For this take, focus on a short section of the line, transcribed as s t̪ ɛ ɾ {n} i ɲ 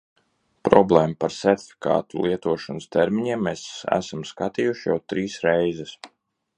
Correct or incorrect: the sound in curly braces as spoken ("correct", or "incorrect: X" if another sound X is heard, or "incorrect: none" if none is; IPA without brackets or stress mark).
incorrect: m